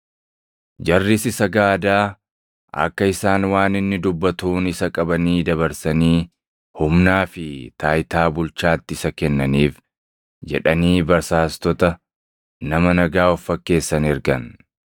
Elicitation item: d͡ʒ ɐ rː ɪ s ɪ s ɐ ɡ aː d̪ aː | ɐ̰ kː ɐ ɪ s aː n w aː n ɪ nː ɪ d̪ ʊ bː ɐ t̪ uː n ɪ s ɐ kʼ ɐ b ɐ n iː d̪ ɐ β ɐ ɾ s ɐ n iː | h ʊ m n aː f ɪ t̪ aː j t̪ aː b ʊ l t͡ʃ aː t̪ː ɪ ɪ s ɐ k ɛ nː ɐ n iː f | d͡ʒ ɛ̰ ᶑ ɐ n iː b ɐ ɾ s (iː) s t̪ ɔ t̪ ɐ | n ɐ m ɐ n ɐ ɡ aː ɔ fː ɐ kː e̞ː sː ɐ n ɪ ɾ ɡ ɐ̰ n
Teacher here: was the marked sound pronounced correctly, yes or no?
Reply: no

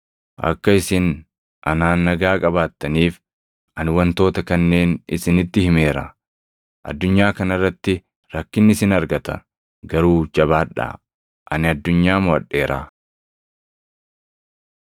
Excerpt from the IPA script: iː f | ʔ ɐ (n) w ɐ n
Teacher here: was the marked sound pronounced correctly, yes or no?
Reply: yes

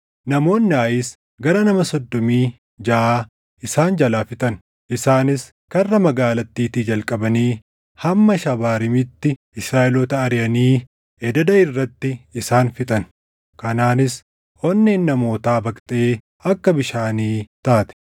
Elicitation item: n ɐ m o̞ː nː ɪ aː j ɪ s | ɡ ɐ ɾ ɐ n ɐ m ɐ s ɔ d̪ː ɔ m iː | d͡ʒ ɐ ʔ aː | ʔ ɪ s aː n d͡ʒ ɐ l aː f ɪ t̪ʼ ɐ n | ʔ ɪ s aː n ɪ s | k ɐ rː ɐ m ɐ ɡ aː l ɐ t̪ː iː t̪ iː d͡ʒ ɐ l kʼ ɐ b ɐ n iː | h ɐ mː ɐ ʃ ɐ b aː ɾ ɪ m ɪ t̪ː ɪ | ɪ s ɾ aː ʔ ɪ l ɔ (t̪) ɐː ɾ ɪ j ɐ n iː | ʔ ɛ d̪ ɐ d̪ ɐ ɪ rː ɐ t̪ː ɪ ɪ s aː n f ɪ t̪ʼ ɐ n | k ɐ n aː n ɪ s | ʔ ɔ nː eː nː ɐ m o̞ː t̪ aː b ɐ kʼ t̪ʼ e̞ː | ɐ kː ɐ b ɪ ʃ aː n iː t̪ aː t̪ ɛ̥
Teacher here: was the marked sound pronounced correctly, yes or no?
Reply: yes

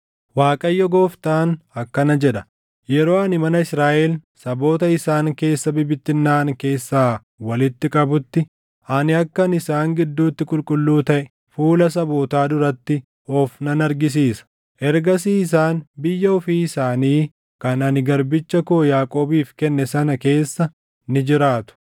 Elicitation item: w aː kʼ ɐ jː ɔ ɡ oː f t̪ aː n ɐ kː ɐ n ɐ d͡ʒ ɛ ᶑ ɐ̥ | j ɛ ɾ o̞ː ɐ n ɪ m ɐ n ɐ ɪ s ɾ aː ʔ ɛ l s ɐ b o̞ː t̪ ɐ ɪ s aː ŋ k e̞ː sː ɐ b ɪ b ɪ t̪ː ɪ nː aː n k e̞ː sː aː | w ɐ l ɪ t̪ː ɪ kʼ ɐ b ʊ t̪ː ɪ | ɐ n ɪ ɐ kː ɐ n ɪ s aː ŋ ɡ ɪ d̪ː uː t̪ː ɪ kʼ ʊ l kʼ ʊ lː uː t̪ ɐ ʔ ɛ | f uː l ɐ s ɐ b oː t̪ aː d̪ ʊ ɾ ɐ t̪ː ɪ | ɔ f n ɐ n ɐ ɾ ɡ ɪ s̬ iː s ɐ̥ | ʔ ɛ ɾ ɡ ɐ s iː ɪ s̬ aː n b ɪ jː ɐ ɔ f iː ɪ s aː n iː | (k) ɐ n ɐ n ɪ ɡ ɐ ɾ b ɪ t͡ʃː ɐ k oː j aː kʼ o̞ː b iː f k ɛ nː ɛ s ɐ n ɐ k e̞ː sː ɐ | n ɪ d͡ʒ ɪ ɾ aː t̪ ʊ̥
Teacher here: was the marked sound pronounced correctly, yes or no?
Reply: yes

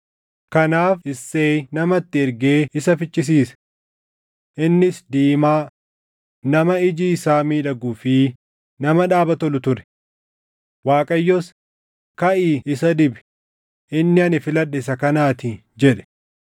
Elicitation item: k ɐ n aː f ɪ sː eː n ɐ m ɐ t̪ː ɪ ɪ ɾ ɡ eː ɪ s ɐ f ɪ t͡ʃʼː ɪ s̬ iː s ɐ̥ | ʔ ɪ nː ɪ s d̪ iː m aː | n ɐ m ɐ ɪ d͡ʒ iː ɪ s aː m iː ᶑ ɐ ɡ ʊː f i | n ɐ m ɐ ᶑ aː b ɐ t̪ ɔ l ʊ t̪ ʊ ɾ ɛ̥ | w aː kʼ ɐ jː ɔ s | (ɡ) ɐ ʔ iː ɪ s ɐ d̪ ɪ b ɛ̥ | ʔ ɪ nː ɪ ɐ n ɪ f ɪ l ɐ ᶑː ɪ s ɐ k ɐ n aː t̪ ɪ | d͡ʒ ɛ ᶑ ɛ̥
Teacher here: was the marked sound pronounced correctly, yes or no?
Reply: no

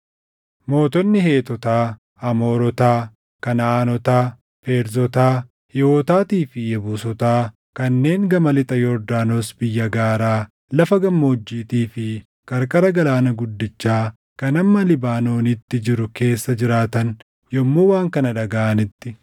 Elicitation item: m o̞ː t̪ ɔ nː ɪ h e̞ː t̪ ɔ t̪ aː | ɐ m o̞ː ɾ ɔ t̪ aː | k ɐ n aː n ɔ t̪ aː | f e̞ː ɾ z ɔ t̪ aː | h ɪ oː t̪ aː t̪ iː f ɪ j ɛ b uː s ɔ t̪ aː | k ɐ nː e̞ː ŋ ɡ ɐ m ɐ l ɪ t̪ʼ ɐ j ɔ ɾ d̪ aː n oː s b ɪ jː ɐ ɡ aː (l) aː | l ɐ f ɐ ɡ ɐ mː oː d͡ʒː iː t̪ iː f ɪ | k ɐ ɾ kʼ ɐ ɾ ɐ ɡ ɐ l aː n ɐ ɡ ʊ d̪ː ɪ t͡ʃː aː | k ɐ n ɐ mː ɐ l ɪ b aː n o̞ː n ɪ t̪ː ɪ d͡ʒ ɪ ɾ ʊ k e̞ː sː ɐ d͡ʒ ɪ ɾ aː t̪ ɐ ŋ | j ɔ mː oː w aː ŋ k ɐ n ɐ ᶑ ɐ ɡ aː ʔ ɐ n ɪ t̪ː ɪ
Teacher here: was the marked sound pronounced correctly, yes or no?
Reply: no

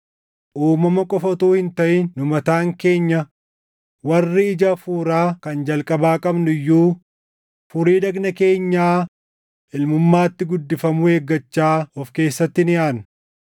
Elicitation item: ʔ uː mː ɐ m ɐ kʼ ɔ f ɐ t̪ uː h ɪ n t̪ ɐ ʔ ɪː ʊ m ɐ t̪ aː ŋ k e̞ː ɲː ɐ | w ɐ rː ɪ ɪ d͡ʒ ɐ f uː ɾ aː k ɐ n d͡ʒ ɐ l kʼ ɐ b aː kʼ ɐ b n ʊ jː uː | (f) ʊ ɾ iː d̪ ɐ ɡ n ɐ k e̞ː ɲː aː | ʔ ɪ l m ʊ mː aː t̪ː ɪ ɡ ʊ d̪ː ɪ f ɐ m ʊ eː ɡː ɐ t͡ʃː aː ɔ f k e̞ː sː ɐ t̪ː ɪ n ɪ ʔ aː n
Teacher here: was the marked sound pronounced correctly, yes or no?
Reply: yes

